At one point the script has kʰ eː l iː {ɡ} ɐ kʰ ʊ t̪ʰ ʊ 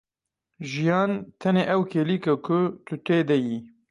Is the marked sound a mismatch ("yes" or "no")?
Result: yes